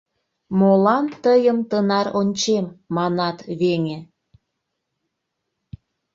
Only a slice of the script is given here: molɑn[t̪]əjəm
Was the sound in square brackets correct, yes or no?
yes